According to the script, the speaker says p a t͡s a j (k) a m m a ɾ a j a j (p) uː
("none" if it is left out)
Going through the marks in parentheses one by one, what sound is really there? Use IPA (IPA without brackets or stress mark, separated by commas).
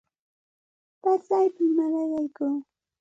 p, k